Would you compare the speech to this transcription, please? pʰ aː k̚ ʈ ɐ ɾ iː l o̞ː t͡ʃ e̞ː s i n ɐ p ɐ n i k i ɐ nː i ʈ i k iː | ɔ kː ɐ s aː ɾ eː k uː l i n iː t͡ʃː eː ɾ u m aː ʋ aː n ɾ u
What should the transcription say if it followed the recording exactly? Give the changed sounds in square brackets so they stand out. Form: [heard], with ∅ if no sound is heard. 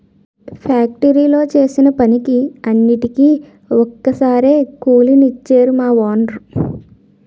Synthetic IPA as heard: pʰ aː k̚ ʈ ɐ ɾ iː l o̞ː t͡ʃ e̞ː s i n ɐ p ɐ n i k i ɐ nː i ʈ i k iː | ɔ kː ɐ s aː ɾ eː k uː l i n [i] t͡ʃː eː ɾ u m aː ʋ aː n ɾ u